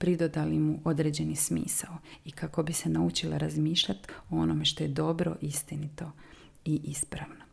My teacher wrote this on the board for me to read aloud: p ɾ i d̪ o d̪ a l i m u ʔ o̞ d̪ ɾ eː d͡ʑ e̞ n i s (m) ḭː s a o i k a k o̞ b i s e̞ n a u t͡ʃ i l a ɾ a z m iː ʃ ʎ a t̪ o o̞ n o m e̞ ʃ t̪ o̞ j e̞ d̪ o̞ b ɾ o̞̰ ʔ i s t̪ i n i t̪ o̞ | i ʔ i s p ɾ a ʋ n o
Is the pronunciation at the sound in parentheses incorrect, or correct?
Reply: correct